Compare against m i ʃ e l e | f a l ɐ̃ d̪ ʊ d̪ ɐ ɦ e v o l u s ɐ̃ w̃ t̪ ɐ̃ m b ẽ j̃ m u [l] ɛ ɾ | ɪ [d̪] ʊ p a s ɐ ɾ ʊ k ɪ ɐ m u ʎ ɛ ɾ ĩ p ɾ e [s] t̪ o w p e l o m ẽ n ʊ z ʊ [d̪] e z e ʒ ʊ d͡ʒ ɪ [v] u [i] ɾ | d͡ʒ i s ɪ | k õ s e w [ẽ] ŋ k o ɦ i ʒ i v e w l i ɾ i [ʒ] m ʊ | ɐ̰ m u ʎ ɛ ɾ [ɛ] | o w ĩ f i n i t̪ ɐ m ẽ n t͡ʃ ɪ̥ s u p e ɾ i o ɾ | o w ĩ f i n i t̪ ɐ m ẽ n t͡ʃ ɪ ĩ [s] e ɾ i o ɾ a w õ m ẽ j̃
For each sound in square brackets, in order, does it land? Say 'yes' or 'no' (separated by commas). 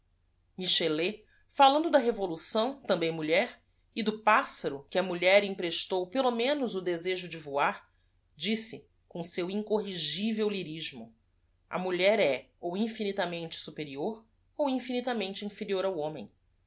no, yes, no, yes, yes, no, no, yes, yes, no